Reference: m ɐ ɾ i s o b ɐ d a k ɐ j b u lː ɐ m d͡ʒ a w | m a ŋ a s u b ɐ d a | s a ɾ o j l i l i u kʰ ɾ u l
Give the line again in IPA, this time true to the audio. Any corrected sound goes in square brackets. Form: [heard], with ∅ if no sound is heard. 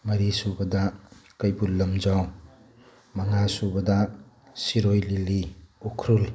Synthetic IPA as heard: m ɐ ɾ i s [u] b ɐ d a k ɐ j b u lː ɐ m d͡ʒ a w | m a ŋ a s u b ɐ d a | s [i] ɾ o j l i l i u kʰ ɾ u l